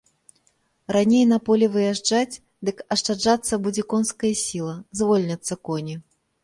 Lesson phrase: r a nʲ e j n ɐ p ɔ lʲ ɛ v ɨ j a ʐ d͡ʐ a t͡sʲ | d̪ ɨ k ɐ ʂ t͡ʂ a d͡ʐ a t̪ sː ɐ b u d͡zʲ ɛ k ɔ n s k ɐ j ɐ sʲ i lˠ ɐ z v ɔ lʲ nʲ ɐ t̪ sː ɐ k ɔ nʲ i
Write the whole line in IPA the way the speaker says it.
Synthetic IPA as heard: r a nʲ e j n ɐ p ɔ lʲ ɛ v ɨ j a ʐ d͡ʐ a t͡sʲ | d̪ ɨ k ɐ ʂ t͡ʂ a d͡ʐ a t̪ sː ɐ b u d͡zʲ ɛ k ɔ n s k ɐ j ɐ sʲ i lˠ ɐ z v ɔ lʲ nʲ ɐ t̪ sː ɐ k ɔ nʲ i